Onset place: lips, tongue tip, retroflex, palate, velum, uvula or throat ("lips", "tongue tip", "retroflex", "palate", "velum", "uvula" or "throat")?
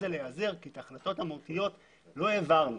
tongue tip